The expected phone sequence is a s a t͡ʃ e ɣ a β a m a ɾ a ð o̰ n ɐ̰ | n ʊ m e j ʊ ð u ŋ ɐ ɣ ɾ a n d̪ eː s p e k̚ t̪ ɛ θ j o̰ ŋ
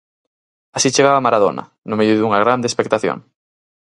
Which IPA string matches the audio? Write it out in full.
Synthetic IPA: a s i t͡ʃ e ɣ a β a m a ɾ a ð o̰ n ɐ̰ | n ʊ m e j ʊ ð u ŋ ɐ ɣ ɾ a n d̪ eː s p e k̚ t̪ a θ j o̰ ŋ